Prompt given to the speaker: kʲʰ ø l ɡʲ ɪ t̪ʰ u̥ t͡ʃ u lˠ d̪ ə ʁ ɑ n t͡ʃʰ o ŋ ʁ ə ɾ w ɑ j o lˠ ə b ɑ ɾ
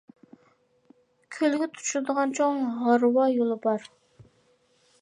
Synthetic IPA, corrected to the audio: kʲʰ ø l ɡʲ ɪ t̪ʰ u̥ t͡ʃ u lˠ d̪ ə ʁ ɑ n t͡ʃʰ o ŋ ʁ ɑ ɾ w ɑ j o lˠ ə b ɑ ɾ